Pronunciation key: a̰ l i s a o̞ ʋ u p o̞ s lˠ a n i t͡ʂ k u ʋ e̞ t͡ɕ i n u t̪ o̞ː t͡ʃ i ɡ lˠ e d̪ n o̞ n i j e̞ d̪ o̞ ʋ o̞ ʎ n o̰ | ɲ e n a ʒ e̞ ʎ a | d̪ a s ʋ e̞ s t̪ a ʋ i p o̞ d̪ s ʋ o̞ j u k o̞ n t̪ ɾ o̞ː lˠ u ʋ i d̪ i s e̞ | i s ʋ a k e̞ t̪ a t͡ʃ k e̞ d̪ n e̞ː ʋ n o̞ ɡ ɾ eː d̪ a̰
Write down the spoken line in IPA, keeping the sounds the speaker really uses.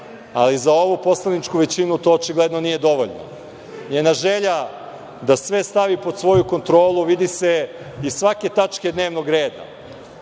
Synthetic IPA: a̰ l i z a o̞ ʋ u p o̞ s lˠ a n i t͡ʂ k u ʋ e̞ t͡ɕ i n u t̪ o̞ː t͡ʃ i ɡ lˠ e d̪ n o̞ n i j e̞ d̪ o̞ ʋ o̞ ʎ n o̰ | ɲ e n a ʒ e̞ ʎ a | d̪ a s ʋ e̞ s t̪ a ʋ i p o̞ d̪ s ʋ o̞ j u k o̞ n t̪ ɾ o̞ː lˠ u ʋ i d̪ i s e̞ | i s ʋ a k e̞ t̪ a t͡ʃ k e̞ d̪ n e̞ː ʋ n o̞ ɡ ɾ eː d̪ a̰